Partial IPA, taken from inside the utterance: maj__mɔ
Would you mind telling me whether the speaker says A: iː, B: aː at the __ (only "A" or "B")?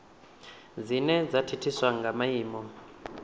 A